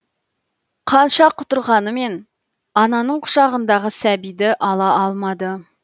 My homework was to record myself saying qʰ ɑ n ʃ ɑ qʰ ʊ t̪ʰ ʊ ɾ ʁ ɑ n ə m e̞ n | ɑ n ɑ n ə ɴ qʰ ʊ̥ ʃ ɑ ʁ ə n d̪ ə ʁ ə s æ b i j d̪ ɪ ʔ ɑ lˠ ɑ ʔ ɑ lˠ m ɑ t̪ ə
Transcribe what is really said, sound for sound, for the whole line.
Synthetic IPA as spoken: qʰ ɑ n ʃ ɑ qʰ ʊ t̪ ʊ ɾ ʁ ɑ n ə m e̞ n | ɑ n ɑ n ə ɴ qʰ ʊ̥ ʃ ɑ ʁ ə n d̪ ɑ ʁ ə s æ b i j d̪ ɪ ʔ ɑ lˠ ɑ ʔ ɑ lˠ m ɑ d̪ ə